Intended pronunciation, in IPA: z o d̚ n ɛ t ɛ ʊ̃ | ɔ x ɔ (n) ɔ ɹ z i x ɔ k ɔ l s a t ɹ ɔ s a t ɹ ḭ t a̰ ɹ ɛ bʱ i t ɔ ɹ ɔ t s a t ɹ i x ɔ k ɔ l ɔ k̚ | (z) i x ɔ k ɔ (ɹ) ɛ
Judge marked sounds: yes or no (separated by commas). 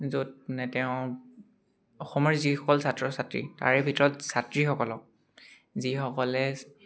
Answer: no, yes, no